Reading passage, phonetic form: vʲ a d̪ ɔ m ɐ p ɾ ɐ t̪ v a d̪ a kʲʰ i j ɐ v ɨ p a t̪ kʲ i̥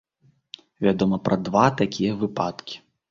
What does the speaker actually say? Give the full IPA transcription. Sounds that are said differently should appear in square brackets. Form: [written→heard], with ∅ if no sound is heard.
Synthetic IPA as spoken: vʲ a d̪ ɔ m ɐ p ɾ ɐ [t̪→d̪] v a [d̪→t̪] a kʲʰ i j ɐ v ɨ p a t̪ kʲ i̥